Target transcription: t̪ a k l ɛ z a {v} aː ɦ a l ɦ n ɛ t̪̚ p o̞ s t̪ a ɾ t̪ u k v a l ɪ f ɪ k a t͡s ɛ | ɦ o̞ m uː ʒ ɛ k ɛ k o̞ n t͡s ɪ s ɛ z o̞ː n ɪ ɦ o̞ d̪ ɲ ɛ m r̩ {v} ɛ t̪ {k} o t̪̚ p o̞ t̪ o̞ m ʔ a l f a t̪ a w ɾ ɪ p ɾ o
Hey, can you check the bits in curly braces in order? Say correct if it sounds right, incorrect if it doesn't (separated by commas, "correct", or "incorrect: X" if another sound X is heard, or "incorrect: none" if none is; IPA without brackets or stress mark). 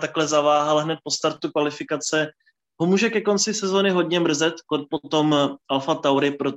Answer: correct, incorrect: z, correct